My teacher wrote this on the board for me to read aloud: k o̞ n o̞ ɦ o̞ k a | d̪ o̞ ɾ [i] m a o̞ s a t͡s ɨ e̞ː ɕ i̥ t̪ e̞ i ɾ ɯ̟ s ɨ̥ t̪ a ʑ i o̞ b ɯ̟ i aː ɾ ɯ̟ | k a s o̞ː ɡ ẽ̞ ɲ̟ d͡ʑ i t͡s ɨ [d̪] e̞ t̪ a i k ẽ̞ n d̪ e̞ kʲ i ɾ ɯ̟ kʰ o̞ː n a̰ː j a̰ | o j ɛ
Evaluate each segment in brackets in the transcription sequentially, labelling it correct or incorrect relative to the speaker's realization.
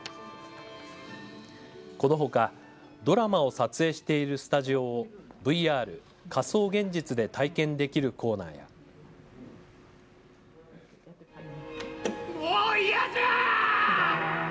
incorrect: a, correct

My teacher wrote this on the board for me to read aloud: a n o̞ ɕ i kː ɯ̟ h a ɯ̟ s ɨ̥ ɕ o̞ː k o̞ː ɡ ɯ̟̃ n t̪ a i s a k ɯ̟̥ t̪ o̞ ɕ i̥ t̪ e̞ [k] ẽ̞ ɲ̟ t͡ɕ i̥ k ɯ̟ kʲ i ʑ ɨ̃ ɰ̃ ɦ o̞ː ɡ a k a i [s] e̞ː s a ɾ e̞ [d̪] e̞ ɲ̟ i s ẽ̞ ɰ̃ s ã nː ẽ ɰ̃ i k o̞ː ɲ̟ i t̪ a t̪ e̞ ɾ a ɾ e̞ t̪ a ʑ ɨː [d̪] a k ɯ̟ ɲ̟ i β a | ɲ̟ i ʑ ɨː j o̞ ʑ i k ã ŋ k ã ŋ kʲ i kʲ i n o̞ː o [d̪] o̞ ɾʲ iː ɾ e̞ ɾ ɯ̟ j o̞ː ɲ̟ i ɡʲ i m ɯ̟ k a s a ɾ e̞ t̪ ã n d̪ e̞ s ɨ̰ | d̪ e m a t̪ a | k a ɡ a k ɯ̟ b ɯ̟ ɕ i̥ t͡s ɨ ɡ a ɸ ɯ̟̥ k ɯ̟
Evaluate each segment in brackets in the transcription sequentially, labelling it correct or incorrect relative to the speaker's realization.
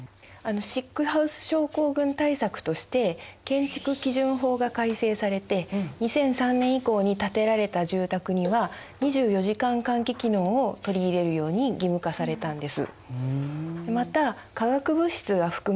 correct, correct, incorrect: t̪, incorrect: t̪, incorrect: t̪

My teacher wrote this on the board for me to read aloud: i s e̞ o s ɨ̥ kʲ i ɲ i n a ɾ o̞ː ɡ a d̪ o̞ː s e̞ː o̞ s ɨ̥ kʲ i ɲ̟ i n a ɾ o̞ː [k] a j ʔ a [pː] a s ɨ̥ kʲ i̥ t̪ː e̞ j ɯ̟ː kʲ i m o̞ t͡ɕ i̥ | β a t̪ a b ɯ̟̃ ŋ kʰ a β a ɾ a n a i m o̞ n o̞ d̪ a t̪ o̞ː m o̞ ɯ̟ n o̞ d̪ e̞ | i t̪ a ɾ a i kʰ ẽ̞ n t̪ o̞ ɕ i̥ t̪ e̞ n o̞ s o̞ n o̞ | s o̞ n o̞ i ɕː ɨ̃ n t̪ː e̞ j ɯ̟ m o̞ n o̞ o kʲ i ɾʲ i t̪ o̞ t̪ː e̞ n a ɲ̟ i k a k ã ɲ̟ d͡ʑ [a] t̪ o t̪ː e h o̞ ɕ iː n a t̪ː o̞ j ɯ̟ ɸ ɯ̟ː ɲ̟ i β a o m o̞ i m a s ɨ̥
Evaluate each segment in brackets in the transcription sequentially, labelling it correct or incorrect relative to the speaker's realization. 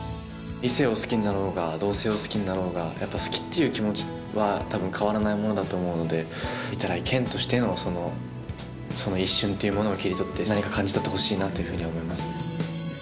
incorrect: ɡ, correct, incorrect: i

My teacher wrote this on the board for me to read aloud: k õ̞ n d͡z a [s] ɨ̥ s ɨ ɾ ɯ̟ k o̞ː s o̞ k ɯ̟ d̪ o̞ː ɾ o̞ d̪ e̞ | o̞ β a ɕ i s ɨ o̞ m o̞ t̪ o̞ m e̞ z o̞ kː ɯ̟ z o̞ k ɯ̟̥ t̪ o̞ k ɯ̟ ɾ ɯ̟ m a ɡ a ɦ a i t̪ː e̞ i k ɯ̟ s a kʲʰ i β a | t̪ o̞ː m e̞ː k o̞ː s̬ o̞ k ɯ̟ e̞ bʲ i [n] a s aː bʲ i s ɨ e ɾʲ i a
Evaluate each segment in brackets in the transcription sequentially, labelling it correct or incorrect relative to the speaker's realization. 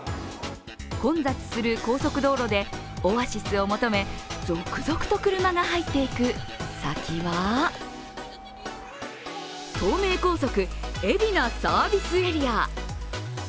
incorrect: t͡s, correct

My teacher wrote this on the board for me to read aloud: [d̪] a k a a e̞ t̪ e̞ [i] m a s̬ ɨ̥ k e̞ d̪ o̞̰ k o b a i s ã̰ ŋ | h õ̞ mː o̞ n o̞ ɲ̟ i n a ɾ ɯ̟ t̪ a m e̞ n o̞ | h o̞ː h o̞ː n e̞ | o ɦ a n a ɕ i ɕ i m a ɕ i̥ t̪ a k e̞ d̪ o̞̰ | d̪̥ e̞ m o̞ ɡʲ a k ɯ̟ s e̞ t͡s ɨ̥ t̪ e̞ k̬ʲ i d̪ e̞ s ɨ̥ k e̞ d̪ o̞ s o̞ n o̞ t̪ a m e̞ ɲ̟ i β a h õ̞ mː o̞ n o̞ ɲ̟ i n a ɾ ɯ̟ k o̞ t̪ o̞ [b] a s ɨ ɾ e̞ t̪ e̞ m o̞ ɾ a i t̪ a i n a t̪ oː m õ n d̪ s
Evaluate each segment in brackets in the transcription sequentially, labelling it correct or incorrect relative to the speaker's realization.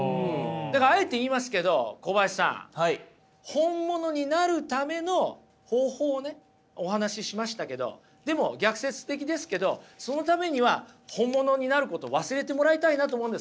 correct, incorrect: iː, incorrect: β

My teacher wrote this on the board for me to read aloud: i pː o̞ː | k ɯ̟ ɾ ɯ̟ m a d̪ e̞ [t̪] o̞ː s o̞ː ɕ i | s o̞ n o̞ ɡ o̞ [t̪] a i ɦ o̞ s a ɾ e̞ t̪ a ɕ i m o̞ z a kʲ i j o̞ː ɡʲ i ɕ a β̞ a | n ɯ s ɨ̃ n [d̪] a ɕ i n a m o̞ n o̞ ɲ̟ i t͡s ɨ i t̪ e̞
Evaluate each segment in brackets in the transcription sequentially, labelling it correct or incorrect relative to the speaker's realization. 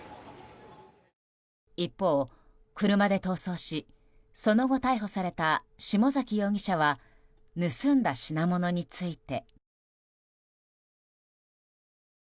correct, correct, correct

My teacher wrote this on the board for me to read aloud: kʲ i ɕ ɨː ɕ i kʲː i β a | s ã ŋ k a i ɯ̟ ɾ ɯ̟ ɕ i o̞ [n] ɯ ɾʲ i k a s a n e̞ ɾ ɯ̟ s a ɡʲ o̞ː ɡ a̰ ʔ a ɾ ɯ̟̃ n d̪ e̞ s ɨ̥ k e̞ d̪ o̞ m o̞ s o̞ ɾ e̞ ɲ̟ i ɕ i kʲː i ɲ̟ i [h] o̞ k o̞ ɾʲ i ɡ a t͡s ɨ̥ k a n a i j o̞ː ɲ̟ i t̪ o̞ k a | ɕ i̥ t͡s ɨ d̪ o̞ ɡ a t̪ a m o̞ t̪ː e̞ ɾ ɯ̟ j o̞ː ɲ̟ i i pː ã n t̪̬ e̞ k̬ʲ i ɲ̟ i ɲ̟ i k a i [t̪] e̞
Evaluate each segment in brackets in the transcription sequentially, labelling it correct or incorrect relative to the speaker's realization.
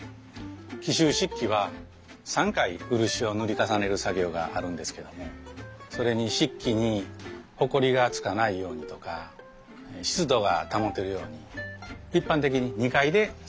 correct, correct, incorrect: d̪

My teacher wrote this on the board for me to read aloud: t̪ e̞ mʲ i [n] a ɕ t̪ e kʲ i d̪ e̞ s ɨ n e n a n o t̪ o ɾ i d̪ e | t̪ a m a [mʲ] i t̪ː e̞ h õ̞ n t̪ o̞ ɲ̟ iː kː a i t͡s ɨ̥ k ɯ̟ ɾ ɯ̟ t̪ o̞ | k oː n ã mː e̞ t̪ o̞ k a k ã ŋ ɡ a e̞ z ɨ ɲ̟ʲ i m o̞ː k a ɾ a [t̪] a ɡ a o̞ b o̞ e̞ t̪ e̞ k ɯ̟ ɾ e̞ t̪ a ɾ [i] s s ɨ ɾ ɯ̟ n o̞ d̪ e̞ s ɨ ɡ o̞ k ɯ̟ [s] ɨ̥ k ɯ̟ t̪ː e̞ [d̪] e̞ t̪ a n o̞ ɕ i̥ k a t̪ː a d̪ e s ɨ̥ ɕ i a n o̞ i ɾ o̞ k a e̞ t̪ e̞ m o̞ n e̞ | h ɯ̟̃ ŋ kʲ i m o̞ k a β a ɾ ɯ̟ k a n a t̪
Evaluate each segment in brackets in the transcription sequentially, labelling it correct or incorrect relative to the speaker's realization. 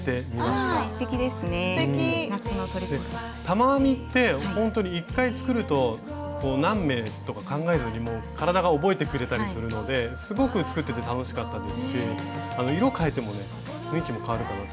incorrect: m, correct, incorrect: d̪, correct, incorrect: t͡s, incorrect: t̪

